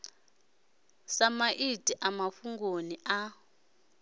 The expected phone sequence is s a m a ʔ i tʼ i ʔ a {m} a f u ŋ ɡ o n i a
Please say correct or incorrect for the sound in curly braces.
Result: correct